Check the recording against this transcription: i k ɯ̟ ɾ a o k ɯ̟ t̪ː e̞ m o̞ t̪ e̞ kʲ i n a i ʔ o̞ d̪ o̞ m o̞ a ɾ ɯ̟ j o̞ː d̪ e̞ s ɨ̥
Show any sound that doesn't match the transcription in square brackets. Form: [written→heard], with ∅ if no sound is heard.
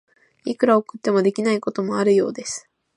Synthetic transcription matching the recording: i k ɯ̟ ɾ a o k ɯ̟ t̪ː e̞ m o̞ [t̪→d̪] e̞ kʲ i n a i [ʔ→k] o̞ [d̪→t̪] o̞ m o̞ a ɾ ɯ̟ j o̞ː d̪ e̞ s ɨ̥